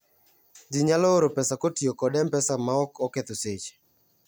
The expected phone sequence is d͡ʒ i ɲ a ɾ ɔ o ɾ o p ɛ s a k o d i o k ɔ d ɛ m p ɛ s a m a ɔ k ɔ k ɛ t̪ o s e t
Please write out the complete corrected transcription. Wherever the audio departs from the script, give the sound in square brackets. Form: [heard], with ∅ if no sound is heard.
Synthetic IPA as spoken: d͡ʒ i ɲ a [l] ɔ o ɾ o p ɛ s a k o [t] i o k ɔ d ɛ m p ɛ s a m a ɔ k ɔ k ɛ t̪ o s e [t͡ʃ]